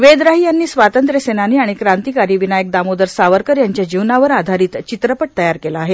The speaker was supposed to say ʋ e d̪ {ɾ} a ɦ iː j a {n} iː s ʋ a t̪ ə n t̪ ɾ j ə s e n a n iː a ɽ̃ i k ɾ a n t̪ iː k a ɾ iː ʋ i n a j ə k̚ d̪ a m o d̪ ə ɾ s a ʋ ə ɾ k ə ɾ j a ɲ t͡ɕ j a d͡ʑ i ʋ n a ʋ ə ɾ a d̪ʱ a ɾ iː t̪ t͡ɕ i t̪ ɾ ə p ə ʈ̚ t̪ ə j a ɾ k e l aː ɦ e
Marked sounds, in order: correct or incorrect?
correct, incorrect: nː

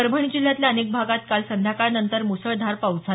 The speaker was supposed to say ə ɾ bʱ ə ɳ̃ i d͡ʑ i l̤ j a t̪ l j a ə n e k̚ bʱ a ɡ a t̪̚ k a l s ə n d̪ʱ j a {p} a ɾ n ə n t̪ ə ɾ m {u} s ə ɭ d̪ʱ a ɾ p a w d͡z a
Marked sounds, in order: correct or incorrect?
incorrect: k, correct

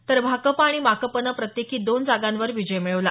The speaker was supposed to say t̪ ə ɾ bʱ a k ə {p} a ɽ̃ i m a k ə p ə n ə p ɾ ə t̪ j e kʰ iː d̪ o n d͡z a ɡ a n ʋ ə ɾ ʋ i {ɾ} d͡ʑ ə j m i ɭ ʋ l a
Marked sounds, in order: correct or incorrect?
correct, incorrect: none

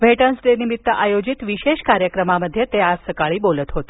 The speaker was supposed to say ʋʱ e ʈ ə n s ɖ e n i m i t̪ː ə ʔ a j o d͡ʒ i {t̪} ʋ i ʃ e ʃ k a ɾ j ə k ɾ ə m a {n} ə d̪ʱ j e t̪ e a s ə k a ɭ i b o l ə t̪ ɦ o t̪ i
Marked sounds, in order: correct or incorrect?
correct, incorrect: m

